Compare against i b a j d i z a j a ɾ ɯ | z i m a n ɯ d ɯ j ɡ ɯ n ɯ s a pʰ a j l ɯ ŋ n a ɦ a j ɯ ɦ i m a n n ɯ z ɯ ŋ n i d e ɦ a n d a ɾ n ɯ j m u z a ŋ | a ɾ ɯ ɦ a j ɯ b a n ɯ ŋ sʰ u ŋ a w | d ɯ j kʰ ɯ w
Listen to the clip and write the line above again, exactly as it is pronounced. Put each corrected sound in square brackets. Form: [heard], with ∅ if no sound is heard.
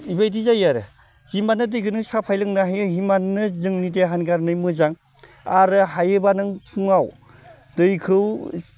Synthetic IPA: i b a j d i z a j a ɾ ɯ | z i m a n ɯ d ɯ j ɡ ɯ n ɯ s a pʰ a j l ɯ ŋ n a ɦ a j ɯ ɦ i m a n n ɯ z ɯ ŋ n i d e ɦ a n [ɡ] a ɾ n ɯ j m [ɯ] z a ŋ | a ɾ ɯ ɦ a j ɯ b a n ɯ ŋ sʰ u ŋ a w | d ɯ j kʰ ɯ w